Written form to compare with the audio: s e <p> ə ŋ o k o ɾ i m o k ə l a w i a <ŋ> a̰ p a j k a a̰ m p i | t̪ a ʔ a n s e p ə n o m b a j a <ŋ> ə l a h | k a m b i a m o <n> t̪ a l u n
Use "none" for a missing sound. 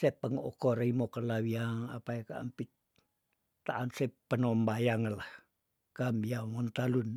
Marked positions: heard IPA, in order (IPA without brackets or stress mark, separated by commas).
p, ŋ, ŋ, n